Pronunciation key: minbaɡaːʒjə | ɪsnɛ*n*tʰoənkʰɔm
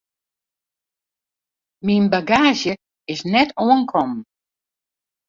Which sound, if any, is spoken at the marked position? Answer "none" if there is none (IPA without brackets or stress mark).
none